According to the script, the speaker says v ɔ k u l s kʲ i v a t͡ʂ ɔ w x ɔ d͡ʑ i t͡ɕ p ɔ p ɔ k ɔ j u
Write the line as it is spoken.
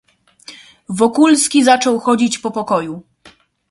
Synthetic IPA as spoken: v ɔ k u l s kʲ i z a t͡ʂ ɔ w x ɔ d͡ʑ i t͡ɕ p ɔ p ɔ k ɔ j u